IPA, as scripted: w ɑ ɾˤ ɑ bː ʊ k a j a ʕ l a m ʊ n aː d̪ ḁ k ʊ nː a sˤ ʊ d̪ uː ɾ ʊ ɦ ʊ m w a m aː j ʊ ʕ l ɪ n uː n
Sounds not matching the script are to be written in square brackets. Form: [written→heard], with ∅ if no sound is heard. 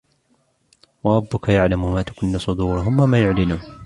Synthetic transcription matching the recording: w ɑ ɾˤ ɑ bː ʊ k a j a ʕ l a m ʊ [n→m] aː [d̪→t̪] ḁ k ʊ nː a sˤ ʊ d̪ uː ɾ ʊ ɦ ʊ m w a m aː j ʊ ʕ l ɪ n uː n